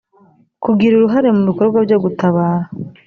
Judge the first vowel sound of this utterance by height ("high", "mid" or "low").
high